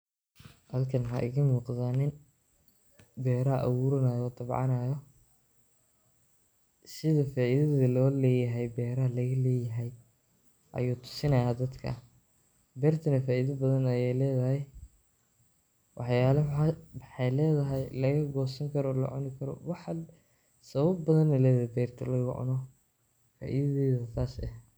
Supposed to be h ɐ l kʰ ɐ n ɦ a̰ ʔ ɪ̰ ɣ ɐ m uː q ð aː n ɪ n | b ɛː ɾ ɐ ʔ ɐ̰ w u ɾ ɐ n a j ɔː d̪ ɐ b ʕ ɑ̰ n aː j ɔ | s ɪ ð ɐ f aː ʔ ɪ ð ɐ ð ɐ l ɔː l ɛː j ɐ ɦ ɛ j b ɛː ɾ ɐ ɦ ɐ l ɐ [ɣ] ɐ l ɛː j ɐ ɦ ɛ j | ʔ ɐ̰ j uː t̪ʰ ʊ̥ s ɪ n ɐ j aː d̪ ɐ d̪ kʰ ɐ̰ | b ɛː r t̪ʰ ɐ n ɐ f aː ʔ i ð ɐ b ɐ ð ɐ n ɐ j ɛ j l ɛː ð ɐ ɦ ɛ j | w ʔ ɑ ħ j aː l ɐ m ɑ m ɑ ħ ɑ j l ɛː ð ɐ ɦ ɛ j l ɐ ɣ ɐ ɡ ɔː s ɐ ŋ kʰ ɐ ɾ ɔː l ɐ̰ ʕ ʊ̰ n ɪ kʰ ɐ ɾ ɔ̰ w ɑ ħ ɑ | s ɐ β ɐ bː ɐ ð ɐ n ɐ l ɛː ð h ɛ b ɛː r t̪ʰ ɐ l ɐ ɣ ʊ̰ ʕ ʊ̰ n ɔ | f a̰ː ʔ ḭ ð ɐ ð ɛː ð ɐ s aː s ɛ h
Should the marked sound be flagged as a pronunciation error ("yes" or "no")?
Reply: no